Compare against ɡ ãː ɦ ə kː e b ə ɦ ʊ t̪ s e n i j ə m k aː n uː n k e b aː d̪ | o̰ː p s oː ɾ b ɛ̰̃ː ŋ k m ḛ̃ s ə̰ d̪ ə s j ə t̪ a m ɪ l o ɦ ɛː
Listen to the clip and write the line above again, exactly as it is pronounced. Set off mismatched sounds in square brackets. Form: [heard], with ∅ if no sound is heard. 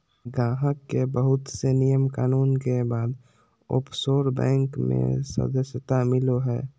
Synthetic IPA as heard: ɡ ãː ɦ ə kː e b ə ɦ ʊ t̪ s e n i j ə m k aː n uː n k e b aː d̪ | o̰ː p s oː ɾ b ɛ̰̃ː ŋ k m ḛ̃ s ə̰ d̪ ə s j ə t̪ a m ɪ l o ɦ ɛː